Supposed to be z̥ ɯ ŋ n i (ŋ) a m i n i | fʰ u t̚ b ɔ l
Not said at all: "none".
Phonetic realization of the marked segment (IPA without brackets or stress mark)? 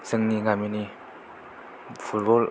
ŋ